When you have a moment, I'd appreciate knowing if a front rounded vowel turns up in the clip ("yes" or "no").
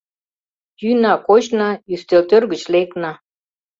yes